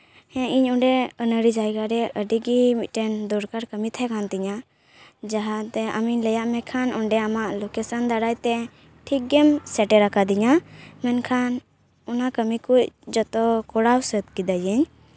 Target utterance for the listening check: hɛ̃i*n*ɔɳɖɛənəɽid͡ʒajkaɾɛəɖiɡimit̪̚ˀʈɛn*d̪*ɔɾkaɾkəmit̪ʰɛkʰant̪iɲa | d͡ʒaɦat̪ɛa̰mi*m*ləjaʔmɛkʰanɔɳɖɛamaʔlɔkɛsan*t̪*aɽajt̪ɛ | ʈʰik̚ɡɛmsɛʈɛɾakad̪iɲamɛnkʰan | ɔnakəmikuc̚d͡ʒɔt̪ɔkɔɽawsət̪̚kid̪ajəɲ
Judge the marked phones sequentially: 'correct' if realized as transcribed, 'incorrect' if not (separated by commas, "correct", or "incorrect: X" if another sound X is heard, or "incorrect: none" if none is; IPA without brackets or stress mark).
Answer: incorrect: ɲ, correct, incorrect: ɲ, incorrect: d̪